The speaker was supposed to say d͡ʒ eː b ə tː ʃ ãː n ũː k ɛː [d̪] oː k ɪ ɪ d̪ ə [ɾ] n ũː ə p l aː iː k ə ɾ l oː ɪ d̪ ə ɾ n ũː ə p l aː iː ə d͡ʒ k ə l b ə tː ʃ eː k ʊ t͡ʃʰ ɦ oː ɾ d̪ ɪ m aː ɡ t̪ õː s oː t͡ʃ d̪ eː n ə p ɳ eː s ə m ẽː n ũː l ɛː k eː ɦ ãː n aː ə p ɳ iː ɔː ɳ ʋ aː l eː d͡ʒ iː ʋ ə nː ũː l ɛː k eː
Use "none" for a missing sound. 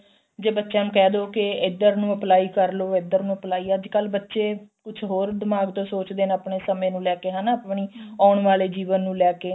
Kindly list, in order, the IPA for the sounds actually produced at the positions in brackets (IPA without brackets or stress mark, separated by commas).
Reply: d̪, ɾ